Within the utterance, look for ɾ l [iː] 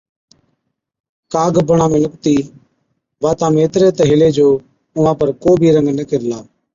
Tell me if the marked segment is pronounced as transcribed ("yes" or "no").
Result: no